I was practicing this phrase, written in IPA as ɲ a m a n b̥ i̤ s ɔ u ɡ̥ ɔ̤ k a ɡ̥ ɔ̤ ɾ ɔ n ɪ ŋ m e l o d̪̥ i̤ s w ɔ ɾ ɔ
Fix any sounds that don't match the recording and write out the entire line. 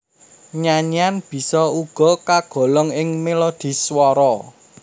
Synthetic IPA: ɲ a ɲ a n b̥ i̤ s ɔ u ɡ̥ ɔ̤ k a ɡ̥ ɔ̤ l ɔ ŋ ɪ ŋ m e l o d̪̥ i̤ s w ɔ ɾ ɔ